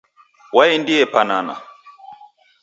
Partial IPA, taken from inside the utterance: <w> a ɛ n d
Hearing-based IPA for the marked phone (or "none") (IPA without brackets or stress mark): w